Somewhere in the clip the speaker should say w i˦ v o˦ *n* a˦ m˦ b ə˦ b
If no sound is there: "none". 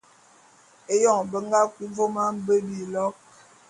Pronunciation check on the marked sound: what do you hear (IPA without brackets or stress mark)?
m